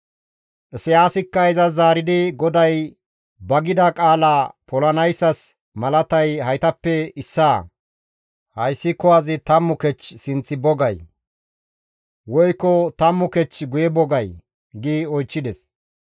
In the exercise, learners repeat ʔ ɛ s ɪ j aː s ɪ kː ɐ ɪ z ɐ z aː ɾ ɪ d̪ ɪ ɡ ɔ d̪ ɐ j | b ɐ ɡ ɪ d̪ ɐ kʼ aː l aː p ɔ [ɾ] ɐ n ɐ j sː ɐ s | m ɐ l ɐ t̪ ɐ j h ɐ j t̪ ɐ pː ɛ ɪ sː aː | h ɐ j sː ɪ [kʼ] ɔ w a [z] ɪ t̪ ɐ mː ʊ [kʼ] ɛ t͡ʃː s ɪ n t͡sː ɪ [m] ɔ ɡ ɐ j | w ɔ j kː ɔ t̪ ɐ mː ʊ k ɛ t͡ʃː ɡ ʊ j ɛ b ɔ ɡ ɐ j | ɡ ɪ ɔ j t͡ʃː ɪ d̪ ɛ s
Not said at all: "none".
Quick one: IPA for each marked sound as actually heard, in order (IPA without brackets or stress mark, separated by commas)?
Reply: l, k, z, k, b